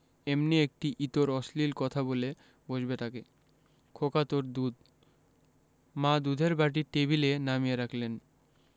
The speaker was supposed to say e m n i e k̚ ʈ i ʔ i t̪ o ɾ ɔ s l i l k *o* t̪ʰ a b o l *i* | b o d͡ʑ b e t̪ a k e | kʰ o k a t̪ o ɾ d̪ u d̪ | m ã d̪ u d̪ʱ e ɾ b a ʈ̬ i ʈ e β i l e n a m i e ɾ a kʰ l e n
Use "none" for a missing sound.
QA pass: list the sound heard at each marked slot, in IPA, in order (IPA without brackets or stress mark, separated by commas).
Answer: ɔ, e